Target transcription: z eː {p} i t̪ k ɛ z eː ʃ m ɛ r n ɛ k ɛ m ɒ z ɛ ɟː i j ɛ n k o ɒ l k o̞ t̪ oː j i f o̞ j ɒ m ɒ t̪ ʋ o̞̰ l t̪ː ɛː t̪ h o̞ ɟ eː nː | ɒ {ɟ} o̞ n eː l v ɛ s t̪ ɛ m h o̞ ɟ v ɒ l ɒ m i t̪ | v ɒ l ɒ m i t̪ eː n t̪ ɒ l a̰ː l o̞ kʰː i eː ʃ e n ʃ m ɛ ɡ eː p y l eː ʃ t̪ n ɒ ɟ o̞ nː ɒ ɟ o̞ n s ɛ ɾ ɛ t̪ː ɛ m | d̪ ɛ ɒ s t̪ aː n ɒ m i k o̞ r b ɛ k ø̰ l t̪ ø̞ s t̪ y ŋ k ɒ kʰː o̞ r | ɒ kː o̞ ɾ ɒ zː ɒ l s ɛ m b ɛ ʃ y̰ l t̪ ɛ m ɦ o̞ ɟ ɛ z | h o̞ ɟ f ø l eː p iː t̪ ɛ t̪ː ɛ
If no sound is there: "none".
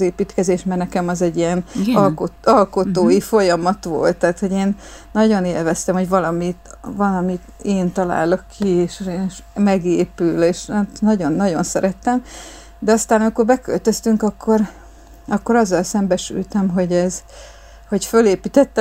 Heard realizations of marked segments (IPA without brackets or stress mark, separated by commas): p, ɟ